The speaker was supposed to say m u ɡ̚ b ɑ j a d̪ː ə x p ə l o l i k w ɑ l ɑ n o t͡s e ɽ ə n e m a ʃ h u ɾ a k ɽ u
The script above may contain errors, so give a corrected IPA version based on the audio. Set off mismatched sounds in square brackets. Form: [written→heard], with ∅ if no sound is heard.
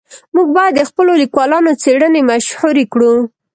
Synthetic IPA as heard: m u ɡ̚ b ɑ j a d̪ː ə x p ə l o l i k w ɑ l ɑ n o t͡s e ɽ ə n e m a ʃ h u ɾ [a→e] k ɽ u